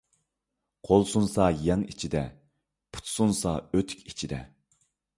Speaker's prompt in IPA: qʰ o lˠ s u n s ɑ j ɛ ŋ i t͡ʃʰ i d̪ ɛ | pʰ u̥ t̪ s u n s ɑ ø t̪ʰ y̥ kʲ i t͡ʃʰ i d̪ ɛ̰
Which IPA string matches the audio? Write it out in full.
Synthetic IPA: qʰ o lˠ s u n s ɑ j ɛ ŋ i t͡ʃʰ i d̪ ɛ | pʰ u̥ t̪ s u n s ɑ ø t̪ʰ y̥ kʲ i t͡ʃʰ i d̪ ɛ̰